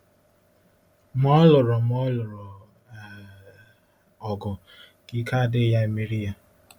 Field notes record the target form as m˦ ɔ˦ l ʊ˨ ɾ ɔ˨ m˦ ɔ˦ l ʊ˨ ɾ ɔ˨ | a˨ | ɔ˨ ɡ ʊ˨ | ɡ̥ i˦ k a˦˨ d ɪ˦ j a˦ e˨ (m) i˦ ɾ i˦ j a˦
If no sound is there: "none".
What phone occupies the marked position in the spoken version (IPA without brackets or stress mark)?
m